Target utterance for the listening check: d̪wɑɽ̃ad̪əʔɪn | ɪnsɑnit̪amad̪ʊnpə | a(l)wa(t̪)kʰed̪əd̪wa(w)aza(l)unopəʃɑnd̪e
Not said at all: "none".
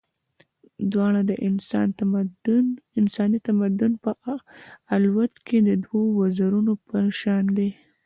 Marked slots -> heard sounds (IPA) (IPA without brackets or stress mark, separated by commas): l, t̪, w, ɾ